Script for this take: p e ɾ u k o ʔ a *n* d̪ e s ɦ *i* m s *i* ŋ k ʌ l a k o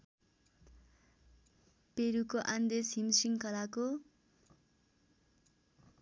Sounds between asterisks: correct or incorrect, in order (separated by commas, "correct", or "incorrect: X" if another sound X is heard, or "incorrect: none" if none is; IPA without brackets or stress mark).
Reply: correct, correct, correct